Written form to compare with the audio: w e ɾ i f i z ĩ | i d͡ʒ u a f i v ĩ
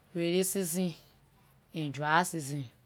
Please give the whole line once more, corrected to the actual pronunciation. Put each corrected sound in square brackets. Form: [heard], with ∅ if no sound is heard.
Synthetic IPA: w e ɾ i [s] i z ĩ | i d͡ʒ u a [s] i [z] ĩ